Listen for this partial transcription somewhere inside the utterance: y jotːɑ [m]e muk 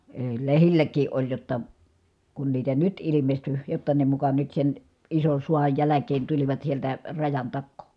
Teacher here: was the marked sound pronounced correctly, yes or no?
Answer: no